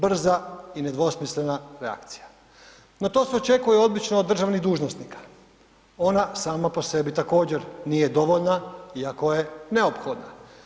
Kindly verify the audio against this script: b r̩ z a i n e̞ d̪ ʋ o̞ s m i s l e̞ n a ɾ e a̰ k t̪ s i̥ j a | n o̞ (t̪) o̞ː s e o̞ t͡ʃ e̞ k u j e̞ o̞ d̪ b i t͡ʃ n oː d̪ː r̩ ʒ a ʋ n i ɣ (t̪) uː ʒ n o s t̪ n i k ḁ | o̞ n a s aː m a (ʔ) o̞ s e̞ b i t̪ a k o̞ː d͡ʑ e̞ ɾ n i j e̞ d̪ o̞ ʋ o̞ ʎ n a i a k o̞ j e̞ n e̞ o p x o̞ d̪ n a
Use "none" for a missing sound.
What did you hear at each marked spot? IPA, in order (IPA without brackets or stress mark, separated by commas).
t̪, d̪, p